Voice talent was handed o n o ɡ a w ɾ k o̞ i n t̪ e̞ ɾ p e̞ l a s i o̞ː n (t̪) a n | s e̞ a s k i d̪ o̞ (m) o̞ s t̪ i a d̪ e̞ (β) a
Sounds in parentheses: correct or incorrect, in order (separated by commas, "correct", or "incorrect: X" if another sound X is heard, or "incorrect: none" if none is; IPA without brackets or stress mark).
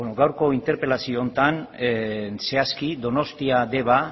correct, incorrect: n, correct